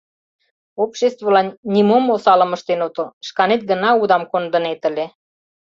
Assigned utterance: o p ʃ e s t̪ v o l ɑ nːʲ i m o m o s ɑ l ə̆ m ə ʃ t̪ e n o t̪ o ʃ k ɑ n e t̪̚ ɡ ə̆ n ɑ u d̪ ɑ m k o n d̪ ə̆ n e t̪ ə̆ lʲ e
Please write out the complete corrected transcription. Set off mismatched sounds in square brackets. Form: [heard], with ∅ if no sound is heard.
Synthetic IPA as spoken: o p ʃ e s t̪ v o l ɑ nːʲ i m o m o s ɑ l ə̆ m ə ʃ t̪ e n o t̪ o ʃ k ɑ n e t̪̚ ɡ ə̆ n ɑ u d̪ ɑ m k o n d̪ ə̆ n e t̪ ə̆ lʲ e